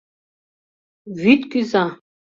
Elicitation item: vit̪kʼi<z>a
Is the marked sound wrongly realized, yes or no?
no